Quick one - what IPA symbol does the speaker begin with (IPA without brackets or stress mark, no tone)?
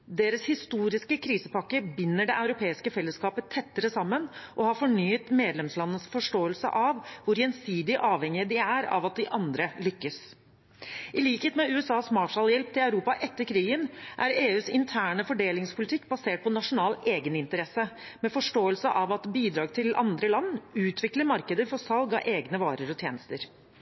d̪